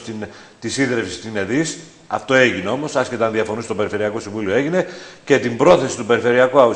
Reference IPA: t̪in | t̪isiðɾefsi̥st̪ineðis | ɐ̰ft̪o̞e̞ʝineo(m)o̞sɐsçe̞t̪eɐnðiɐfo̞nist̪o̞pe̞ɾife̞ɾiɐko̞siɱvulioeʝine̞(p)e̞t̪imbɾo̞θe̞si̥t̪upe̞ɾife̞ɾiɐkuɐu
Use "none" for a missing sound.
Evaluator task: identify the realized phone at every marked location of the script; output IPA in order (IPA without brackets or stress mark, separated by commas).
m, c